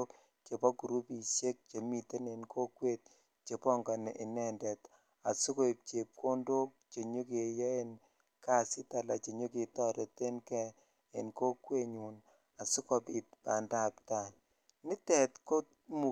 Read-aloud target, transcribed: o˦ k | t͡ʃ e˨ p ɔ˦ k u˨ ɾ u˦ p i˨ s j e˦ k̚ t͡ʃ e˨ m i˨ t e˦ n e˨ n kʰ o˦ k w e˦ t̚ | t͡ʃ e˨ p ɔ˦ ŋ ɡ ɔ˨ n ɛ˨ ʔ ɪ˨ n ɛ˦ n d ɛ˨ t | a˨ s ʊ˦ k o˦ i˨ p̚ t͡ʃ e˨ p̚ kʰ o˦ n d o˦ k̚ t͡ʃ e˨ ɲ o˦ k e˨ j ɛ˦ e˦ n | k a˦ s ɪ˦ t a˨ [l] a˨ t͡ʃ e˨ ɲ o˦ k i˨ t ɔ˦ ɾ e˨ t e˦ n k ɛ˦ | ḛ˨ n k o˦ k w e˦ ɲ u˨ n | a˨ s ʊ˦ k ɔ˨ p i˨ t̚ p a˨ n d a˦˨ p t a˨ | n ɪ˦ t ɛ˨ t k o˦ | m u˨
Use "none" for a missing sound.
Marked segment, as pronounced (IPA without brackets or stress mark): l